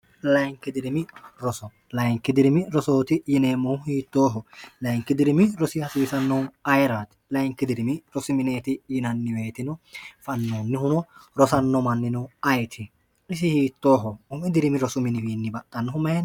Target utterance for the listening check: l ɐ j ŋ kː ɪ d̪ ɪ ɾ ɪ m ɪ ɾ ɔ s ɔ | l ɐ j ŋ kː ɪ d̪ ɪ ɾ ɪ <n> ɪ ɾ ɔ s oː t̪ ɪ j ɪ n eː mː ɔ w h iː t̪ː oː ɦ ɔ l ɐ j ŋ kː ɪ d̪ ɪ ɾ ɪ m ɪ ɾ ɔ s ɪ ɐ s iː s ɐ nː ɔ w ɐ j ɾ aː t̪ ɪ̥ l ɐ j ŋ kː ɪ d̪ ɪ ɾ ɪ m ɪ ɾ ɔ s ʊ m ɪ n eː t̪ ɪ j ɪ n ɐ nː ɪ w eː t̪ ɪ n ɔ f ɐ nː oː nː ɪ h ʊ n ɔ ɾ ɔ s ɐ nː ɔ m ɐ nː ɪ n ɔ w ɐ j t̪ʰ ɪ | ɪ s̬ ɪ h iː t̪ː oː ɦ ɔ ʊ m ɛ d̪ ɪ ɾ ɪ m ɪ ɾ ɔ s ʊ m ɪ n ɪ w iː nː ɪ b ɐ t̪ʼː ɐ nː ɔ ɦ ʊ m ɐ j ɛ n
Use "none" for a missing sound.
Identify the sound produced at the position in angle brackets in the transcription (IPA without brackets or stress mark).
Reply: m